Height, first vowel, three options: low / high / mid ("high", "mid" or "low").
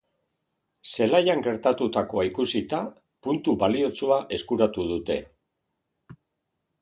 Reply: mid